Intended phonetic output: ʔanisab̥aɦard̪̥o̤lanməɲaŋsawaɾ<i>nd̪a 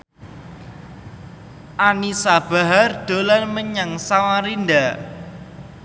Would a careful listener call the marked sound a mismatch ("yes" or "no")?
no